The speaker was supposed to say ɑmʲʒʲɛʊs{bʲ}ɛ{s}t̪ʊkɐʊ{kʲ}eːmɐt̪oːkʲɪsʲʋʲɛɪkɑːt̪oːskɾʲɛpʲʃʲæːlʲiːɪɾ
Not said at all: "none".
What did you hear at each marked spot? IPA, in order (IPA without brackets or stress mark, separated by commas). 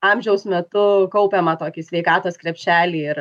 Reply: mʲ, none, pʲ